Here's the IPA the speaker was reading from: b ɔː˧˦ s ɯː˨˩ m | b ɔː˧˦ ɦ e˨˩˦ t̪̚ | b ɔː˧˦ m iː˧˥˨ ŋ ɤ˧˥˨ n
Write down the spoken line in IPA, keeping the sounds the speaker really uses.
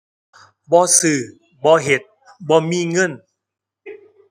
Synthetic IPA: b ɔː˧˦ s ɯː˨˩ | b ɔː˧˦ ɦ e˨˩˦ t̪̚ | b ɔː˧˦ m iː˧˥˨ ŋ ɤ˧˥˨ n